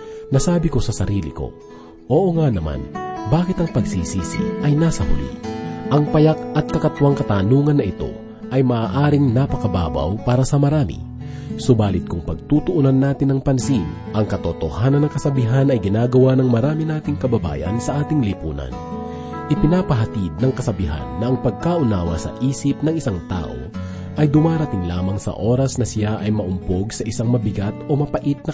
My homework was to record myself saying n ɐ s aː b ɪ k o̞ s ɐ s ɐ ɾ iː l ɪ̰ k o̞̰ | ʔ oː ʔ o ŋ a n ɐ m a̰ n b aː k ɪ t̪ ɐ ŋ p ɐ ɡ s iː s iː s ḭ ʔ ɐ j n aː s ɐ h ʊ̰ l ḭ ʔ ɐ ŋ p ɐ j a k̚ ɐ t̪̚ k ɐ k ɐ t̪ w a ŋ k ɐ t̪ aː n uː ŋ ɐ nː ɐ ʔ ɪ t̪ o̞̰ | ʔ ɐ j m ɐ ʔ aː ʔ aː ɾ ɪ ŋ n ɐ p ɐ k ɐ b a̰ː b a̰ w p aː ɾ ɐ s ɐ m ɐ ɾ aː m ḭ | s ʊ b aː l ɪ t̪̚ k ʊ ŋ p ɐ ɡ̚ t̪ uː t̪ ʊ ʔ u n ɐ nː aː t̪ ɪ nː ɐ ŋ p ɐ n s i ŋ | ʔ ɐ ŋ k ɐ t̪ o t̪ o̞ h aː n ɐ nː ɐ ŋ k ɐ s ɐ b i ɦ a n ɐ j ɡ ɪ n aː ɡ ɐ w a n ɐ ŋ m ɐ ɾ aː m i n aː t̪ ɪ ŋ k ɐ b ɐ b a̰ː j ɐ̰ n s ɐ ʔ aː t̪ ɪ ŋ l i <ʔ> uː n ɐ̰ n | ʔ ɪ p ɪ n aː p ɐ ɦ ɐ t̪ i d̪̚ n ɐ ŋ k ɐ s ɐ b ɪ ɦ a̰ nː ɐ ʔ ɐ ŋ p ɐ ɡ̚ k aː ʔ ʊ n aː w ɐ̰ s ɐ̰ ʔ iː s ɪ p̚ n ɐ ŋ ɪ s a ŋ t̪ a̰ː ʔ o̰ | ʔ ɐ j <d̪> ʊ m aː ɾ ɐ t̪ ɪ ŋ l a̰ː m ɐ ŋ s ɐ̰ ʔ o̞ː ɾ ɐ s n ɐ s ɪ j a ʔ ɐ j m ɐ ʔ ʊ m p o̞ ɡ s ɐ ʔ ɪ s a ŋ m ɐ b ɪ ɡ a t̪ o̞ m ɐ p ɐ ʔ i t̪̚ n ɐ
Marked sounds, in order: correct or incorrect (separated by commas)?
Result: incorrect, correct